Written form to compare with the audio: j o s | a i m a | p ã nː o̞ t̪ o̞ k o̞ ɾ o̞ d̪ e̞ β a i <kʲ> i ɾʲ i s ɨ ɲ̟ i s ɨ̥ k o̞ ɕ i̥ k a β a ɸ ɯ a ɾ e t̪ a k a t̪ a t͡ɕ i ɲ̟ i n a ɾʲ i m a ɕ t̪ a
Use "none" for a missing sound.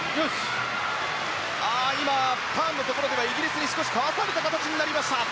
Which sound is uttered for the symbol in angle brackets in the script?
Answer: ɡʲ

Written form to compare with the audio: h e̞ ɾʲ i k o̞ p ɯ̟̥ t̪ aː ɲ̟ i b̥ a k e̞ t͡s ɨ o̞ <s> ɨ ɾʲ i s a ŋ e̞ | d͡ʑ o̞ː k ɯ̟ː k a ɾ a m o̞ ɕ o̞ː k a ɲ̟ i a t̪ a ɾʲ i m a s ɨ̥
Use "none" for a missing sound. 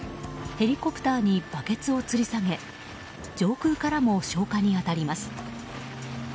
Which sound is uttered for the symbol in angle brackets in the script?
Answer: t͡s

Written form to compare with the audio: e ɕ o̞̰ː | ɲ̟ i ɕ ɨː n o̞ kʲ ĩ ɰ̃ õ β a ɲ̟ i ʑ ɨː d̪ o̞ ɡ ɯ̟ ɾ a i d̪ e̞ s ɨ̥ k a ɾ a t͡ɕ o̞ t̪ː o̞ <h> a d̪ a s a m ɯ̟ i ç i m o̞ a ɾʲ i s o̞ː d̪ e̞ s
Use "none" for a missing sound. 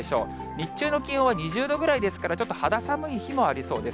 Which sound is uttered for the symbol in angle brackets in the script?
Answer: h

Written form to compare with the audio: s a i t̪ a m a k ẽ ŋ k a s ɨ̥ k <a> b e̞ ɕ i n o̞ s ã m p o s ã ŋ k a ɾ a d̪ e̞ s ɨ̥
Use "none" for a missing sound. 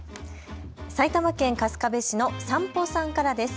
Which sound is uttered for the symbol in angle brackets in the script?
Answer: a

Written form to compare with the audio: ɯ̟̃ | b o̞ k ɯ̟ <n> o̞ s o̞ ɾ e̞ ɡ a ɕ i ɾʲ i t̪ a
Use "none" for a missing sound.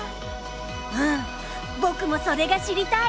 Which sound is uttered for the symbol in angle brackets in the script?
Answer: m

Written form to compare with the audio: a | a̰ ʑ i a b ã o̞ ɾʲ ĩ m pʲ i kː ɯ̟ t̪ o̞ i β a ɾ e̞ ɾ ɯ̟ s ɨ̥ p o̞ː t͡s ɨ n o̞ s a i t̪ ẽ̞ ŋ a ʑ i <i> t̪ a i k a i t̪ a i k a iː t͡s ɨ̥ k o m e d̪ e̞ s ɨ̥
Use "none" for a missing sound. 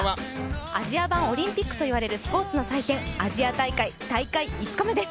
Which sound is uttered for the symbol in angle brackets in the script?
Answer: a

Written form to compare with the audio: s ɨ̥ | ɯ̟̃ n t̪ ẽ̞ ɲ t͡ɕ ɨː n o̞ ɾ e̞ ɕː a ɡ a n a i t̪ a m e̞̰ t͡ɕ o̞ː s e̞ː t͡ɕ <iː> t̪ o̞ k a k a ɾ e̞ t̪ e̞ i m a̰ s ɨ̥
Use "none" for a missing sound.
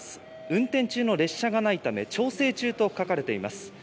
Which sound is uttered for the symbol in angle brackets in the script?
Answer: ɨː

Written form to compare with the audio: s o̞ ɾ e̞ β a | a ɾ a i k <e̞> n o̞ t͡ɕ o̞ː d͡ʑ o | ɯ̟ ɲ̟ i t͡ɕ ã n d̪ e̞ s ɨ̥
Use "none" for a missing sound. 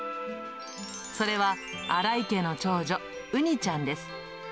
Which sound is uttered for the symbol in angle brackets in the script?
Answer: e̞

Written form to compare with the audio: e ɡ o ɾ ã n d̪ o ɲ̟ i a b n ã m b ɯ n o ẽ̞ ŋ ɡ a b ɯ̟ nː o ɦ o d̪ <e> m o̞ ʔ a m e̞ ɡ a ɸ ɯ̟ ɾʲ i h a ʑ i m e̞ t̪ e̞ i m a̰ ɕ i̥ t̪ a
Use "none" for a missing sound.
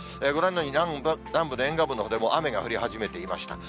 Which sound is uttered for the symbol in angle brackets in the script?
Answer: e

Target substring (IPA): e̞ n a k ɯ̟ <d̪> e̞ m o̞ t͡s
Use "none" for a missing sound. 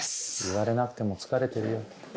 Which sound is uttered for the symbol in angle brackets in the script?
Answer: t̪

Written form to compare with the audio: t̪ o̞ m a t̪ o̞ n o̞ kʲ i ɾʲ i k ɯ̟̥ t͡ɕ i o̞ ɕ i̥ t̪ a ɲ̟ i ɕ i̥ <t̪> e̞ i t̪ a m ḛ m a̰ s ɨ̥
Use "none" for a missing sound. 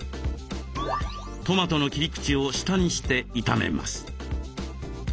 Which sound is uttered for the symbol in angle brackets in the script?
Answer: t̪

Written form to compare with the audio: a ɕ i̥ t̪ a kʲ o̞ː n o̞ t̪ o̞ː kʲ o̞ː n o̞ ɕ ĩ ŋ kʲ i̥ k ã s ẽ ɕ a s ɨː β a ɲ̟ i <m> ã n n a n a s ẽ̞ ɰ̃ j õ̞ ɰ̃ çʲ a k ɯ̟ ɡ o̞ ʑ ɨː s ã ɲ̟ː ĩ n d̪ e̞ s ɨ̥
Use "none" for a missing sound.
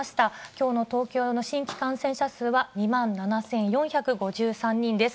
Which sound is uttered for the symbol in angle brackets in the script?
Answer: m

